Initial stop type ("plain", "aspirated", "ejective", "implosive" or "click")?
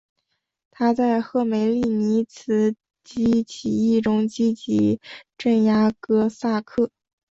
aspirated